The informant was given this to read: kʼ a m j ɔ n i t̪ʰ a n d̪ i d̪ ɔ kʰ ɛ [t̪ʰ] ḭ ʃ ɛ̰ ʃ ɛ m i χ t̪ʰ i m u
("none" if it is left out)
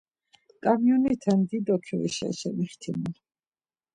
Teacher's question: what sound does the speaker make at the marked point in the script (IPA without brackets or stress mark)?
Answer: none